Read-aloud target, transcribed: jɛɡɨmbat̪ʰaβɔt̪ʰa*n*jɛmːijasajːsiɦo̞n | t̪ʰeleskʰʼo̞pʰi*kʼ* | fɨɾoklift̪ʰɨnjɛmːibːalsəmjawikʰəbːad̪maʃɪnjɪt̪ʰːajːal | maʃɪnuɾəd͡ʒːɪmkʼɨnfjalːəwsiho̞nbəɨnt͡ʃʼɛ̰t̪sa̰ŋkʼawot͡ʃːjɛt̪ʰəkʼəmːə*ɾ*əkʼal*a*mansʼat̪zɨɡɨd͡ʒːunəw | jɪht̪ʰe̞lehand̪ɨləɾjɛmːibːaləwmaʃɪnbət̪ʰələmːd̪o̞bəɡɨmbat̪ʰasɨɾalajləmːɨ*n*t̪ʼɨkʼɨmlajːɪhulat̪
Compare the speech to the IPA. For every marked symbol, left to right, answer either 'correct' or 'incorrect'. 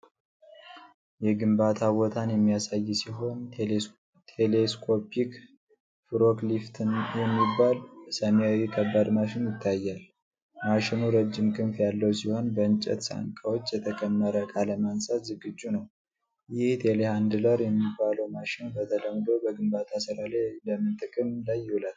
correct, incorrect: k, correct, incorrect: ə, correct

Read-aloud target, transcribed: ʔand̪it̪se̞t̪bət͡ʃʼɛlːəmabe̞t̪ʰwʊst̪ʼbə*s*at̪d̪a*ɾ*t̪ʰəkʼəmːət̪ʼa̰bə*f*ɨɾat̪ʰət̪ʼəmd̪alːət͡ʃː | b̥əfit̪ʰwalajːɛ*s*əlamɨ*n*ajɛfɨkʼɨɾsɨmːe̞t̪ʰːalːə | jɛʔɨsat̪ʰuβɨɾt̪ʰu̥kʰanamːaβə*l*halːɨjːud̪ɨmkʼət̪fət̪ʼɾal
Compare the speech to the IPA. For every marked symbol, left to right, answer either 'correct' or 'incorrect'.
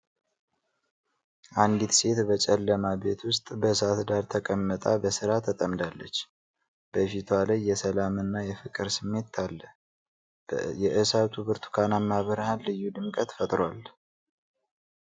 correct, correct, incorrect: s, correct, incorrect: nː, incorrect: ɾ

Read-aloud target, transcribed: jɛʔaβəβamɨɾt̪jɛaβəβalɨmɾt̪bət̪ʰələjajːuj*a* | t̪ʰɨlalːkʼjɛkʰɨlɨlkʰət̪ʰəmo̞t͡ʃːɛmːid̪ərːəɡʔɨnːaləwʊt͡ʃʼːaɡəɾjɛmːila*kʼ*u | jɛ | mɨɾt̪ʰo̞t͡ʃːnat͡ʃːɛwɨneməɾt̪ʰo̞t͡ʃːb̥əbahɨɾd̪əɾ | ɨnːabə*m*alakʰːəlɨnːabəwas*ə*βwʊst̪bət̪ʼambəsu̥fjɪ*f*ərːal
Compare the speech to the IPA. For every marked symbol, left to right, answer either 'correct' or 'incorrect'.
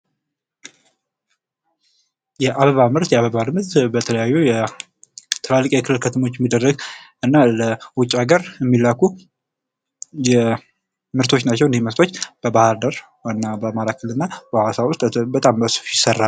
incorrect: ɛ, incorrect: k, correct, incorrect: a, incorrect: s

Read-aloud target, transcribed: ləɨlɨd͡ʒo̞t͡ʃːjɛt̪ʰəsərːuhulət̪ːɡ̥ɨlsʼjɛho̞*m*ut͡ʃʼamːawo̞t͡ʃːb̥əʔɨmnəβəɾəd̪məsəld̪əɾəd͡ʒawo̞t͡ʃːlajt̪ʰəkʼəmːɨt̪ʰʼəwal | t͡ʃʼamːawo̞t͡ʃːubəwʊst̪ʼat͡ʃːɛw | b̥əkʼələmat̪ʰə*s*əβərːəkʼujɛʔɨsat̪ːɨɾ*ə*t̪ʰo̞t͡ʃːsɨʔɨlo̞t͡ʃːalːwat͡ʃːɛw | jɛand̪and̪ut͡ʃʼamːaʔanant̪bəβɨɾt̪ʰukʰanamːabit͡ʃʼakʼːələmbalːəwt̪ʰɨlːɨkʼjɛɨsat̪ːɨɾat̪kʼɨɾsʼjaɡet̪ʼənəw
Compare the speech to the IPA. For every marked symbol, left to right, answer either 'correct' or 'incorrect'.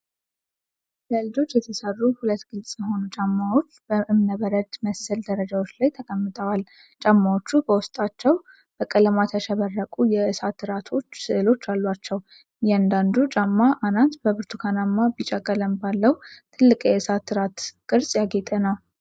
incorrect: n, incorrect: ʃ, incorrect: a

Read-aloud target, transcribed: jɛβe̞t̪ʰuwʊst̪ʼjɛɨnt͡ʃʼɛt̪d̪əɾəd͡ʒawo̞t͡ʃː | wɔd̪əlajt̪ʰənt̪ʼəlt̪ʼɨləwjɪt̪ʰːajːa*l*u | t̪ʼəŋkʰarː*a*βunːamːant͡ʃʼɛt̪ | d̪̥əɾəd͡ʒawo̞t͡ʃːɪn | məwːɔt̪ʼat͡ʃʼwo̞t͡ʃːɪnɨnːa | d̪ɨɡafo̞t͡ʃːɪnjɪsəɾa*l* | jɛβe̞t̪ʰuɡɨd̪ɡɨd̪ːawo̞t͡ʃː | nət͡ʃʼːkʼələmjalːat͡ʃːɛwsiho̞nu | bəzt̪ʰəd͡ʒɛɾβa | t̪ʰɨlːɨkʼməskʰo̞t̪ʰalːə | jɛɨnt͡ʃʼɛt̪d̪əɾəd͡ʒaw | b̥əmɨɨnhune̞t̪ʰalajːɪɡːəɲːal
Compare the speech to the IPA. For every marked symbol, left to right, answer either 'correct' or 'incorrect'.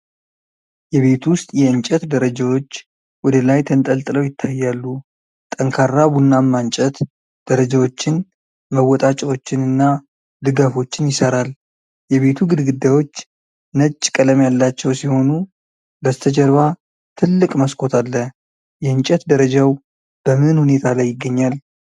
incorrect: lː, correct, correct

